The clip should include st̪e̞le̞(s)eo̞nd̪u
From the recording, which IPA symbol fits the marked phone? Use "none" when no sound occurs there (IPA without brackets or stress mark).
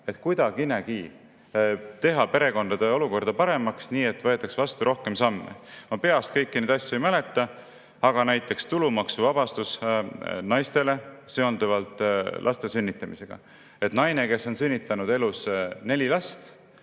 s